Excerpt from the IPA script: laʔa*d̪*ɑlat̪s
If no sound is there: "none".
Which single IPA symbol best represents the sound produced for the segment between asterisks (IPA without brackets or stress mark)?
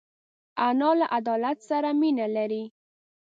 d̪